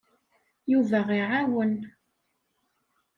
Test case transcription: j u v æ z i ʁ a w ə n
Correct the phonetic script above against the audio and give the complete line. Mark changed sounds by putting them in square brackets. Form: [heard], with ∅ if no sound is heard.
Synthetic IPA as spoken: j u v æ [ʁ] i [ʕ] a w ə n